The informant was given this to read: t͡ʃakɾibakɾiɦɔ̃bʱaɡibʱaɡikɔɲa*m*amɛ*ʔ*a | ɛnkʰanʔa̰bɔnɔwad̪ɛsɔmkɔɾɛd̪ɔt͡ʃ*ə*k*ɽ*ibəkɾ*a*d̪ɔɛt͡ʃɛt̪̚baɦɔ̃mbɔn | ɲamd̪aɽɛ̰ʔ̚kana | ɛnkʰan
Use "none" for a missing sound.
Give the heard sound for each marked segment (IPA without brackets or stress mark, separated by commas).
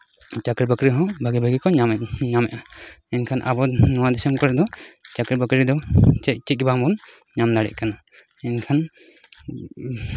ɲ, ʔ, a, ɾ, i